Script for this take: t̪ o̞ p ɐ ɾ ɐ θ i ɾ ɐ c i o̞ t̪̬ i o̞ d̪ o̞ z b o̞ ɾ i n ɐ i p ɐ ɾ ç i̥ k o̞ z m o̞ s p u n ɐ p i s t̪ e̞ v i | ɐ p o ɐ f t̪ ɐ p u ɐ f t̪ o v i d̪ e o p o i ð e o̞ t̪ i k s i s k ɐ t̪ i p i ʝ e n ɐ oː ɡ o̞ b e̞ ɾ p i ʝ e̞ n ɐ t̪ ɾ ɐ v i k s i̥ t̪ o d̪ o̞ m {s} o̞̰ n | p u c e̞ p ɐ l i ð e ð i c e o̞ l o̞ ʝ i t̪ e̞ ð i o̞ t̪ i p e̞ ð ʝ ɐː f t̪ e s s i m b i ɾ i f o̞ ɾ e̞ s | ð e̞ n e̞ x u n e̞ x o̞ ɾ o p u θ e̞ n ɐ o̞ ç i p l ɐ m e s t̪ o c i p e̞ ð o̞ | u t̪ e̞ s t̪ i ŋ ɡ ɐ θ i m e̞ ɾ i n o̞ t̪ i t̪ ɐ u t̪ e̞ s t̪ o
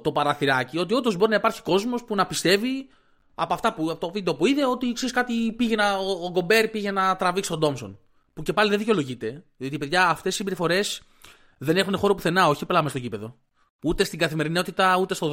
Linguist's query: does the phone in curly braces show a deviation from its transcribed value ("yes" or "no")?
no